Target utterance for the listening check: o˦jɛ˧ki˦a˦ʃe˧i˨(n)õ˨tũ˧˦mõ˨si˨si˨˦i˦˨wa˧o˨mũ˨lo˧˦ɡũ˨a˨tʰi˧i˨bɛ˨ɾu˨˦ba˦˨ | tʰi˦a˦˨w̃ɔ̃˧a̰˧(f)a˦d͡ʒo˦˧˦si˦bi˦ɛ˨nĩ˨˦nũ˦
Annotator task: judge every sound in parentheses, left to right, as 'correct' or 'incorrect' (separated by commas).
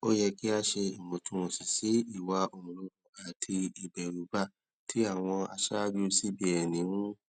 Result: incorrect, incorrect